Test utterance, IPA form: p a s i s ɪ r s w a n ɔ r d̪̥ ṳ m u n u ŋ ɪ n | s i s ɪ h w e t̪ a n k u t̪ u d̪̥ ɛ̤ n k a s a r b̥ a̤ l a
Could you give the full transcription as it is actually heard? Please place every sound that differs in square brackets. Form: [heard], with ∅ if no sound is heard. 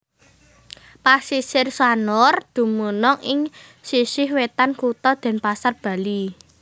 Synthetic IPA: p a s i s ɪ r s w a n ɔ r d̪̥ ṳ m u n [ɔ] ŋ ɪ [ŋ] | s i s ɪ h w e t̪ a n k u t̪ [ɔ] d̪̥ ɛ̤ n [p] a s a r b̥ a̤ l [i]